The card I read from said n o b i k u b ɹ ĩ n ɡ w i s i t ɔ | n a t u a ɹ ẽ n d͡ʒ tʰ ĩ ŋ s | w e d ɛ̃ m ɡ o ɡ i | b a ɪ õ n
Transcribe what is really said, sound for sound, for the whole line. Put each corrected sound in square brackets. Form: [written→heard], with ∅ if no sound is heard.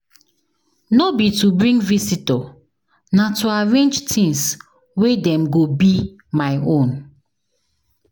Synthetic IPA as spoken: n o b i [k→t] u b ɹ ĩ [n→ŋ] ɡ [w→v] i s i t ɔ | n a t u a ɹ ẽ n d͡ʒ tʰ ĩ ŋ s | w e d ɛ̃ m ɡ o [ɡ→b] i | [b→m] a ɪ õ n